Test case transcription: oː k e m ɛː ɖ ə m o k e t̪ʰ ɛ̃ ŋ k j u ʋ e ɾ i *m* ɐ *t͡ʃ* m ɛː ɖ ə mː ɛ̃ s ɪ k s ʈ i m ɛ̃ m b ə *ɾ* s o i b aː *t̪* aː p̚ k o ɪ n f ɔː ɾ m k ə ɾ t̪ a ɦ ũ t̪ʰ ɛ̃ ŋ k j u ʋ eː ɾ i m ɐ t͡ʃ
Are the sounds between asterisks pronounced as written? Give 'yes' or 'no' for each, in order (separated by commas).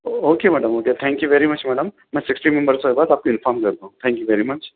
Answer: yes, yes, yes, no